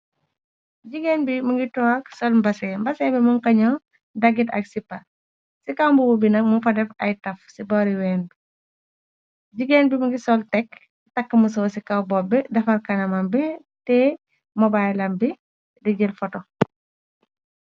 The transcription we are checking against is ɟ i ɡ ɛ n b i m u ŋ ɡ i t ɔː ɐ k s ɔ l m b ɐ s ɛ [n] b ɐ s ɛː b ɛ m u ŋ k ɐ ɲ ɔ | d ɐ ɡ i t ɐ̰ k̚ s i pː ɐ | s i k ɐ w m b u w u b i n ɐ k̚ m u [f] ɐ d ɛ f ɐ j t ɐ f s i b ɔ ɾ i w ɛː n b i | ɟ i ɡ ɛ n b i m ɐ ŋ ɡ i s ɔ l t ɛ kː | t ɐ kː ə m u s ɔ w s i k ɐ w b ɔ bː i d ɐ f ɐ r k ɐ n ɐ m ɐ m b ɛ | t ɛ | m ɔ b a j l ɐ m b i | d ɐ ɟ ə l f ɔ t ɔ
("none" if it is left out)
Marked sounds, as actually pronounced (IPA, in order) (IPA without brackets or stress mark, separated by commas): m, f